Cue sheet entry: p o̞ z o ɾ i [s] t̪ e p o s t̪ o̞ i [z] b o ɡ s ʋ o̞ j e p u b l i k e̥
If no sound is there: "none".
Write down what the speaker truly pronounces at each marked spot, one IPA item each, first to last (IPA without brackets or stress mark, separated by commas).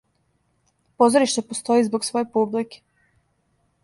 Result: ʃ, z